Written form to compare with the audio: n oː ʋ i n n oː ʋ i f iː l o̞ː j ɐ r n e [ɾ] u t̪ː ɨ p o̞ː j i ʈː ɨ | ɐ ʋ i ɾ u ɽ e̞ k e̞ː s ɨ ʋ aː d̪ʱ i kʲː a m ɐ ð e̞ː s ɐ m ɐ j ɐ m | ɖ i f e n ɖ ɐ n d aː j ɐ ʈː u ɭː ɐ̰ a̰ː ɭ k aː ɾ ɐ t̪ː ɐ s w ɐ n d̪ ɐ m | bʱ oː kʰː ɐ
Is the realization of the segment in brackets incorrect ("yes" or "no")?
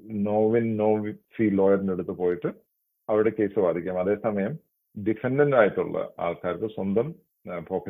yes